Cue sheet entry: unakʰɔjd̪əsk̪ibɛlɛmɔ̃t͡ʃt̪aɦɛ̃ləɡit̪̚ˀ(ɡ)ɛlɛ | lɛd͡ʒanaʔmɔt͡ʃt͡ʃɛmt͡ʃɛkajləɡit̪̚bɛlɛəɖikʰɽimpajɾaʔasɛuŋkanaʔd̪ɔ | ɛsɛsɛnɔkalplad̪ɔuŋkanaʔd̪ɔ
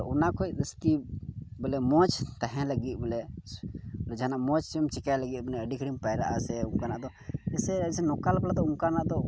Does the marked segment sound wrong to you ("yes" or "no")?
yes